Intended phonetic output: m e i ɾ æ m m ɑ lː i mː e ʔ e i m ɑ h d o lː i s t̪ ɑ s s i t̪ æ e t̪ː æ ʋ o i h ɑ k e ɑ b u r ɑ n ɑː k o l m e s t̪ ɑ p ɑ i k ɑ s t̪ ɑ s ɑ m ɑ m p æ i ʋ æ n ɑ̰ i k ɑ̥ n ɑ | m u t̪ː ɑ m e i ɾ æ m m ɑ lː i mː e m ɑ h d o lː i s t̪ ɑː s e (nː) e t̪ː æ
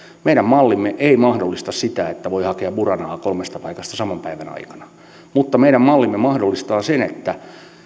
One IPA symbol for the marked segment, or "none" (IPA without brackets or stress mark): n